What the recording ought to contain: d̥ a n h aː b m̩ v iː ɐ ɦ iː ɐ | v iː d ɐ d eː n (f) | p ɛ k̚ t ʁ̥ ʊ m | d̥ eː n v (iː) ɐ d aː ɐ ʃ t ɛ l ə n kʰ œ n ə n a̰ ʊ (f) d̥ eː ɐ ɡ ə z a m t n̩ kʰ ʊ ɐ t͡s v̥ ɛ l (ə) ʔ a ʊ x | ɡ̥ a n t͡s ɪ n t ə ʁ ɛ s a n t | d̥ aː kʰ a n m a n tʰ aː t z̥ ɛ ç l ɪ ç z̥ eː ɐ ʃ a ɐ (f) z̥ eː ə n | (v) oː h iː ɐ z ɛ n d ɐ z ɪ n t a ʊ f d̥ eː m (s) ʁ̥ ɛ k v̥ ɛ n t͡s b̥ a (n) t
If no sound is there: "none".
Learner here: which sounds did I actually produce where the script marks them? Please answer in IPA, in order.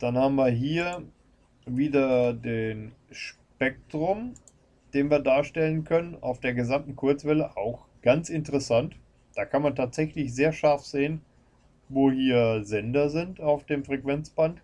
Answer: ʃ, iː, f, ə, f, v, f, n

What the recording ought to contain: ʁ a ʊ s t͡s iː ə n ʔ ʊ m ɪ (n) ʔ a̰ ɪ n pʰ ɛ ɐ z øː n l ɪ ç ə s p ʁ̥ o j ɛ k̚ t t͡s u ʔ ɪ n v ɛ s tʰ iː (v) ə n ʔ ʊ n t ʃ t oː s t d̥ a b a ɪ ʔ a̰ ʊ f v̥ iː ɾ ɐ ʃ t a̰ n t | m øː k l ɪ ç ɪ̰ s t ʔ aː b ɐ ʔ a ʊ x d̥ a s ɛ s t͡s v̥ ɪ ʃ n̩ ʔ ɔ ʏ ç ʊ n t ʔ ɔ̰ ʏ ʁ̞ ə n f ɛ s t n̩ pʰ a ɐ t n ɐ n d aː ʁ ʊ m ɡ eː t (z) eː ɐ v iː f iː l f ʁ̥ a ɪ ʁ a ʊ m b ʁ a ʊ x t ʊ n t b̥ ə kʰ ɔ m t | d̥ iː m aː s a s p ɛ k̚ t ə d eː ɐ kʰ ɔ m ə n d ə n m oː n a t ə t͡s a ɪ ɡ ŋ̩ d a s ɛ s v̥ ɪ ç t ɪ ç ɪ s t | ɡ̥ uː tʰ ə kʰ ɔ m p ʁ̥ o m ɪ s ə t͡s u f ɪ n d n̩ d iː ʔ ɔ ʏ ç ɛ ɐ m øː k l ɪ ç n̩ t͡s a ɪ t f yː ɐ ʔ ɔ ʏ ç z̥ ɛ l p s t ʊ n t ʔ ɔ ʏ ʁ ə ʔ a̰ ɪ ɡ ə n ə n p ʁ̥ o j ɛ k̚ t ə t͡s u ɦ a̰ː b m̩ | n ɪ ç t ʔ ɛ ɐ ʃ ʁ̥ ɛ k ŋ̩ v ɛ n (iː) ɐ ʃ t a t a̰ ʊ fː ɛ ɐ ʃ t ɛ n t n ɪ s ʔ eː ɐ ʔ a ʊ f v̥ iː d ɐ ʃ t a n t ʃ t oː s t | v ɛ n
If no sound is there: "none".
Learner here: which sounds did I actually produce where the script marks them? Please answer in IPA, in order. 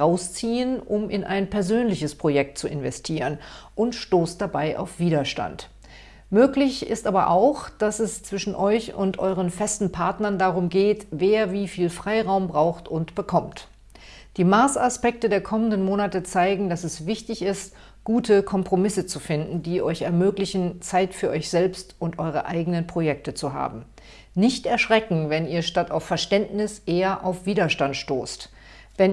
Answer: n, ʁ, v, iː

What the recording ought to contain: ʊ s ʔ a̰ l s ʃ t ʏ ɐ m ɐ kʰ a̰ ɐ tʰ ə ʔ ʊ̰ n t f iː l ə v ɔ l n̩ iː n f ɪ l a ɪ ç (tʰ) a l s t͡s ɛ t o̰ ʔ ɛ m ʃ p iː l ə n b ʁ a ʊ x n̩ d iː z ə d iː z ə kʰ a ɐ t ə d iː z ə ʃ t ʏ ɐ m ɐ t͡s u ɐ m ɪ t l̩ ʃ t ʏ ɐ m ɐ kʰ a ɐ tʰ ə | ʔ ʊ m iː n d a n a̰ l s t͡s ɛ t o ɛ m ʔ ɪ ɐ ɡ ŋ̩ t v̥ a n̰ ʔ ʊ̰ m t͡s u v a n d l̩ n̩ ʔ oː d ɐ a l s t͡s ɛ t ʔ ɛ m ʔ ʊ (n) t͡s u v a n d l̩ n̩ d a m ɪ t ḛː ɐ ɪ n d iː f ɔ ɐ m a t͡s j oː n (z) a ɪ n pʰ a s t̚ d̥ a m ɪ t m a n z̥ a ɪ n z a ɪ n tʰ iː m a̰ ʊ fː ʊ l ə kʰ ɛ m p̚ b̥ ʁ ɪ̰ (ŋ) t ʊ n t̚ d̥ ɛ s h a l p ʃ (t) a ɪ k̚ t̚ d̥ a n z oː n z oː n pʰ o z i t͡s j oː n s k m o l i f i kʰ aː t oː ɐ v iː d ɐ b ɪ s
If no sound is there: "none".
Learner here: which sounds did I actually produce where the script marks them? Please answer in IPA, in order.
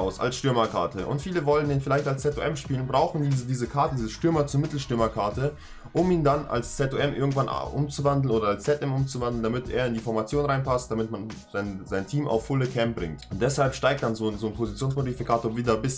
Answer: t, m, ʁ, ŋ, t

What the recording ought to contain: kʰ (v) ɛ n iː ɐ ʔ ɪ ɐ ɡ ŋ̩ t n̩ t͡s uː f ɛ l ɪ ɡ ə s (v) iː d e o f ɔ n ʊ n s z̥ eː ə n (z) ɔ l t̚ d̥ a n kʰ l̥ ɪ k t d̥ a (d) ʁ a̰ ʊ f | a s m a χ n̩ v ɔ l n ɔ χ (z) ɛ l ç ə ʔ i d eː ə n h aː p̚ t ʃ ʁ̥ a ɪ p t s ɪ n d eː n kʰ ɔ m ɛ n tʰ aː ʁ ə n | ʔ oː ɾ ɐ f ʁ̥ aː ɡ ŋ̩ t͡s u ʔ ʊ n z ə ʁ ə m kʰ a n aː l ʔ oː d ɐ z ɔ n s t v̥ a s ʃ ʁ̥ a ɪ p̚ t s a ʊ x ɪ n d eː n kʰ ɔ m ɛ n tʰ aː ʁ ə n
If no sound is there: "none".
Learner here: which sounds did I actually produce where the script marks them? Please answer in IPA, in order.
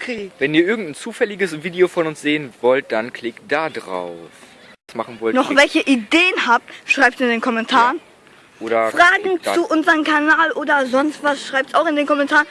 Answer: v, v, v, d, v

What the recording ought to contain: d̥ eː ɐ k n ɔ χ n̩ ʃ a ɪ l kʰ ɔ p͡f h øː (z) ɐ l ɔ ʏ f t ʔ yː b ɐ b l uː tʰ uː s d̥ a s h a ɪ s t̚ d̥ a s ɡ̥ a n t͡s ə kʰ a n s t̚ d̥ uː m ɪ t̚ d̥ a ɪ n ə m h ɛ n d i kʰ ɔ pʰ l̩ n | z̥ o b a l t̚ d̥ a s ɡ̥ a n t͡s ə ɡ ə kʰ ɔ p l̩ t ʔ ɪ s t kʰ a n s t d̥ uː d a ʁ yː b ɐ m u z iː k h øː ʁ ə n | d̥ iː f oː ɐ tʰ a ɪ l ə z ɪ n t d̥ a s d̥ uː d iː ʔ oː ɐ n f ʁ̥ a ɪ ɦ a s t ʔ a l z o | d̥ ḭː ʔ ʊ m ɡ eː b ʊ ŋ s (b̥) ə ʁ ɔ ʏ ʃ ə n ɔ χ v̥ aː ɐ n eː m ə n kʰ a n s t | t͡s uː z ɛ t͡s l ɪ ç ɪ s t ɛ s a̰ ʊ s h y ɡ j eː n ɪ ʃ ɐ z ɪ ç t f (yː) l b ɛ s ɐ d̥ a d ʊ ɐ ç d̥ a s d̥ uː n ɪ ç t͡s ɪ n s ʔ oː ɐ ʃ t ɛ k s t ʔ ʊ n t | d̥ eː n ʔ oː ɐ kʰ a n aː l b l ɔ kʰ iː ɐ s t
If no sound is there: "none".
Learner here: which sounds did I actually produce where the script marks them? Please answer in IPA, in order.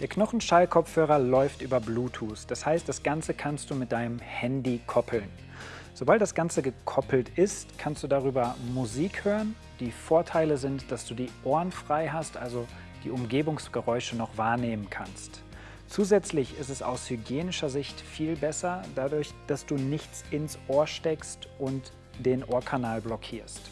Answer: ʁ, ɡ̥, iː

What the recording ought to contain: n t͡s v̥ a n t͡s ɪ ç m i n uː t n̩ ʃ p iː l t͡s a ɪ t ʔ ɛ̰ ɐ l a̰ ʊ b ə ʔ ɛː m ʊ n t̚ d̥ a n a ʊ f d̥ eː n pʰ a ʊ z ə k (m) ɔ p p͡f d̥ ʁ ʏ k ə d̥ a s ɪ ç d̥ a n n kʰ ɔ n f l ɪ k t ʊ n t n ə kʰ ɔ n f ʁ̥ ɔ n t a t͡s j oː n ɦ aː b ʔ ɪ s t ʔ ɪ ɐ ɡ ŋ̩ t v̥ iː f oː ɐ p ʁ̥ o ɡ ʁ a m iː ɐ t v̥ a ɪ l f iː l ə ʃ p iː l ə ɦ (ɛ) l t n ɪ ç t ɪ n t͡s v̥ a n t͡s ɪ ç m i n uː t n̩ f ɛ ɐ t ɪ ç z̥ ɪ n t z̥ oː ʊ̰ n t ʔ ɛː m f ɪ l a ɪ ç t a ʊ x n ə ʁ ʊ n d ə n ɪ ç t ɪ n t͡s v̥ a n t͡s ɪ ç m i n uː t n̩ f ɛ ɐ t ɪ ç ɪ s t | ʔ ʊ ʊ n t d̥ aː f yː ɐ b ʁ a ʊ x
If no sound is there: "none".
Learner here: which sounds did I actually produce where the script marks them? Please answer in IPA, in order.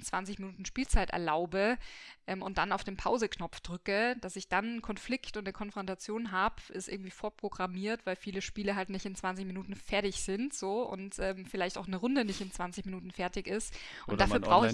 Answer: n, a

